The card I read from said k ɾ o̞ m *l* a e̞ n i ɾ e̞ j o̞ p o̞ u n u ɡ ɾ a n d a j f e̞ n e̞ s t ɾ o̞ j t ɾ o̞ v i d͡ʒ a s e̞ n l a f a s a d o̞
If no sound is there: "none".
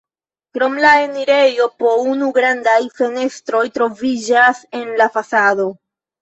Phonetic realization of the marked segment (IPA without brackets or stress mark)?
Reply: l